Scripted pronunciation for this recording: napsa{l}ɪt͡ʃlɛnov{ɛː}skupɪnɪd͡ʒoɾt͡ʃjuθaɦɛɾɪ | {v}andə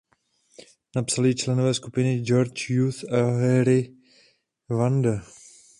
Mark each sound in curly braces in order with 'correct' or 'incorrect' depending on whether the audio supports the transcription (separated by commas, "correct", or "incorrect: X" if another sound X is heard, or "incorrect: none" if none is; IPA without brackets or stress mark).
correct, correct, correct